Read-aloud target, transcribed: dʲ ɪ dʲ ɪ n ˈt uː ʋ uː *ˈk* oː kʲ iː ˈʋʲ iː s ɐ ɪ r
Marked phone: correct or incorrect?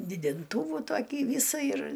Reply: incorrect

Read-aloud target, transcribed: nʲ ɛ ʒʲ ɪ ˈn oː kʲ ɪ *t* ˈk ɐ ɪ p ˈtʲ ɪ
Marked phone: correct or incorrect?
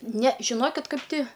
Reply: correct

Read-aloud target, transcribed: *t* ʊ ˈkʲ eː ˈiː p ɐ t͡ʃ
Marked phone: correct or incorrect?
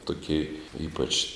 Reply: correct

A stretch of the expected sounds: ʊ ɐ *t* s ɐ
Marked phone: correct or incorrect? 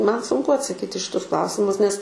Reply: correct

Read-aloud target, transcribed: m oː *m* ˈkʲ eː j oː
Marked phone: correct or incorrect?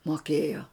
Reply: incorrect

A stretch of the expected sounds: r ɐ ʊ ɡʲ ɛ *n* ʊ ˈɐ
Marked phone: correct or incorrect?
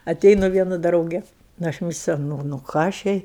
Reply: correct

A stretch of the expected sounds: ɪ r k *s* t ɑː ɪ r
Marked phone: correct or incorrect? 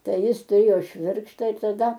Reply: incorrect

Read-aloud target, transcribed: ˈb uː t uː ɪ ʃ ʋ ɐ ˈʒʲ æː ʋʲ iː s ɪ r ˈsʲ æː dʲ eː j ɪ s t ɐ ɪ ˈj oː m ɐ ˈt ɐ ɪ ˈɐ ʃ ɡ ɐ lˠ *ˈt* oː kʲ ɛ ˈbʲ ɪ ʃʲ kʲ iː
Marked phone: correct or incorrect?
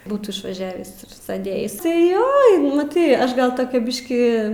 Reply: correct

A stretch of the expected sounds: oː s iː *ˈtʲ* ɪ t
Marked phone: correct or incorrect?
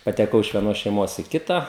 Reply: incorrect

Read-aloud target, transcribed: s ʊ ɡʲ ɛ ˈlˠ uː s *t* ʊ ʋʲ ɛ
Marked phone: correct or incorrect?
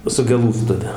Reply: correct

